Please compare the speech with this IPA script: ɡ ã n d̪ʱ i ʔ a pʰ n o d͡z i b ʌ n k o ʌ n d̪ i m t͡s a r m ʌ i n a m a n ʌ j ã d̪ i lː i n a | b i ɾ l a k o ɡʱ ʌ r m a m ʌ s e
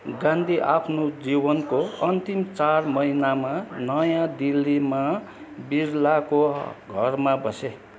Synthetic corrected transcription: ɡ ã n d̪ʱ i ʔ a pʰ n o d͡z i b ʌ n k o ʌ n t̪ i m t͡s a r m ʌ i n a m a n ʌ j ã d̪ i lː i m a | b i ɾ l a k o ɡʱ ʌ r m a b ʌ s e